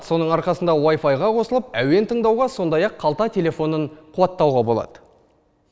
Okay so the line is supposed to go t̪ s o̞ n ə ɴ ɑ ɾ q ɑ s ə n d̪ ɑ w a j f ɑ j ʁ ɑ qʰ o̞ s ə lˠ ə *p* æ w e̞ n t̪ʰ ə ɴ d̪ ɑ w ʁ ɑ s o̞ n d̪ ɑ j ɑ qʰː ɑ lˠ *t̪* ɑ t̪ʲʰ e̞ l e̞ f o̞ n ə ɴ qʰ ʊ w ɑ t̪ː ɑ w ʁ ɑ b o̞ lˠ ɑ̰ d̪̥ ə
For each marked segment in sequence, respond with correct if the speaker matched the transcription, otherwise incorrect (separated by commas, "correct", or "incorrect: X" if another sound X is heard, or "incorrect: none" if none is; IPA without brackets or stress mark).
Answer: correct, correct